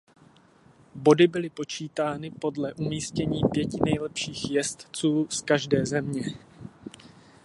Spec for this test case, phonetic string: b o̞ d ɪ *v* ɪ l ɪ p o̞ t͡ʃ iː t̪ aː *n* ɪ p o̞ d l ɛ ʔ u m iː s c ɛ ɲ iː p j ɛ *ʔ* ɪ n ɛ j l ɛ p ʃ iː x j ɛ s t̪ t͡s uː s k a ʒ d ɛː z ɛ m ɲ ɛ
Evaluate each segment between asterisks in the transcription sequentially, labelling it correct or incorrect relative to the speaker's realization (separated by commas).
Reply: incorrect, correct, incorrect